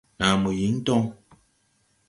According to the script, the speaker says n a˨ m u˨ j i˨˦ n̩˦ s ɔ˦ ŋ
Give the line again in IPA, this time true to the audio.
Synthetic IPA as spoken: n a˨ m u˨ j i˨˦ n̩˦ t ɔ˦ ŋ